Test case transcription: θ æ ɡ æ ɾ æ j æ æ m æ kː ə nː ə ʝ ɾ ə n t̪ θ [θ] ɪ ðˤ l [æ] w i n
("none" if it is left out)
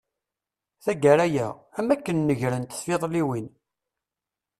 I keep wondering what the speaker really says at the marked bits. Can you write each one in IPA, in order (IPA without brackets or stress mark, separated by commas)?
f, i